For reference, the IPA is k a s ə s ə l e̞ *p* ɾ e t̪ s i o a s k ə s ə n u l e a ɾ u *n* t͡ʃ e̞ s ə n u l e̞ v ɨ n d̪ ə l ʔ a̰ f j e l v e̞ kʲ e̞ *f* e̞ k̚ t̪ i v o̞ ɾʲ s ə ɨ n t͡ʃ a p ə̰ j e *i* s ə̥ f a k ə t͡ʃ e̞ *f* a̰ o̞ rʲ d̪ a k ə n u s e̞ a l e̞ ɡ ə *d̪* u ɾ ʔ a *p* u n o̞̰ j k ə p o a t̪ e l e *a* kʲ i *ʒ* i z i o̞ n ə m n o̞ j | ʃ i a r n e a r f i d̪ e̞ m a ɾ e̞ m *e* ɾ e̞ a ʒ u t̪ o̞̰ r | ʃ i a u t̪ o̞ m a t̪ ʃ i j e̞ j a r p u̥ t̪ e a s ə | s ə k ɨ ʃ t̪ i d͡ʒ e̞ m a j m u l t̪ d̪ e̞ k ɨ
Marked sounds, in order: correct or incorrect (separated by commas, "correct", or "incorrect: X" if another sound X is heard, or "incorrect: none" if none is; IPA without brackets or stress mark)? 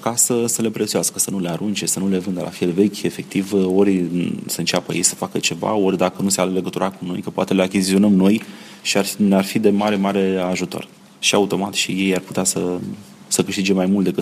correct, correct, correct, incorrect: j, incorrect: v, incorrect: t̪, incorrect: k, correct, incorrect: z, incorrect: a